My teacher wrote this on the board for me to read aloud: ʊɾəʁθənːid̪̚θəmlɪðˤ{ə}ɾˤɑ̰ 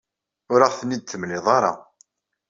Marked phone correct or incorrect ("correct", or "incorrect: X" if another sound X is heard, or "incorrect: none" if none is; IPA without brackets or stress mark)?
incorrect: ɑ